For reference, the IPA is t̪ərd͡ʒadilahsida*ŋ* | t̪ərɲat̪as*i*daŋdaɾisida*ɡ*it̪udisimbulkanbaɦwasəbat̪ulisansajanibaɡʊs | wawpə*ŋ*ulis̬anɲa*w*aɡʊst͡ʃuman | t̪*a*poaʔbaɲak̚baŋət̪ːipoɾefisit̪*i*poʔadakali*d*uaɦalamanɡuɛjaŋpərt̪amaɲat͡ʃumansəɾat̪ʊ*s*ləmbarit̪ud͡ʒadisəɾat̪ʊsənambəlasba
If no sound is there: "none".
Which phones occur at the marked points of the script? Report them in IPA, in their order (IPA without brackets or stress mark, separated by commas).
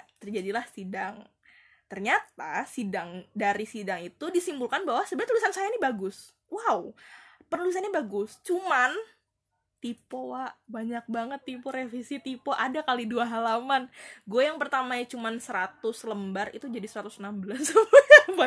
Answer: ŋ, i, ŋ, n, b, i, i, d, s